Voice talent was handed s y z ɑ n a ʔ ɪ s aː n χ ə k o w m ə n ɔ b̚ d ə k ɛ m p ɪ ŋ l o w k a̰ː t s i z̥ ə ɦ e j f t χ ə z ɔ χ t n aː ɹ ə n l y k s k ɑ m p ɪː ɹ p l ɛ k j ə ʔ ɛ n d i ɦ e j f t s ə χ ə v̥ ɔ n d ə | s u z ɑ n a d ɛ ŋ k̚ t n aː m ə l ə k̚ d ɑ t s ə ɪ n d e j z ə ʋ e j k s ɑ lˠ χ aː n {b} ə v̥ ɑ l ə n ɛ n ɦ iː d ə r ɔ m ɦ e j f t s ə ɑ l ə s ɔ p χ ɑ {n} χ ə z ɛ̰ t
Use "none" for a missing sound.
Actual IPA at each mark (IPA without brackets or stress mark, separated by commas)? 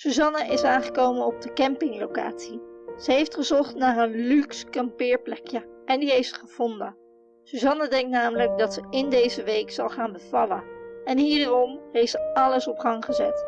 b, ŋ